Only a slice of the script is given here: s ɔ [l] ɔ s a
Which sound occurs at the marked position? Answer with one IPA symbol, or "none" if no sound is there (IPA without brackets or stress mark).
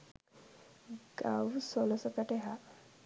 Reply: l